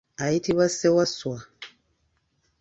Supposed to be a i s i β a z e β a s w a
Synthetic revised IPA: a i t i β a s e w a s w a